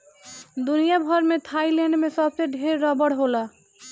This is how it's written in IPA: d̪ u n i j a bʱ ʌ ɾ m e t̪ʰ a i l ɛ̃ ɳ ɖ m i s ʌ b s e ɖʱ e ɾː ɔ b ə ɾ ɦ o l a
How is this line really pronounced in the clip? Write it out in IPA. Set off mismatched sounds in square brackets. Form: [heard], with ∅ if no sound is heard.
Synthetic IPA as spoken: d̪ u n i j a bʱ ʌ ɾ m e t̪ʰ a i l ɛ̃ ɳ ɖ m [e] s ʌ b s e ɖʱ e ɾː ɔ b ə [ɽ] ɦ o l a